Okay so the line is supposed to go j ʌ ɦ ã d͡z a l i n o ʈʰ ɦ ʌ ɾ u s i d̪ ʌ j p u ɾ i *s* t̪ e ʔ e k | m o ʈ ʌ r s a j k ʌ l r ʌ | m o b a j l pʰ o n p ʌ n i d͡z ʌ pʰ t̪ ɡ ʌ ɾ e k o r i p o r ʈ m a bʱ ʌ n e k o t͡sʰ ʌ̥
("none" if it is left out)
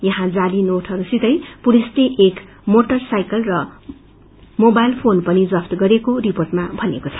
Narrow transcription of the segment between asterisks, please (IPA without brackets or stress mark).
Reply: s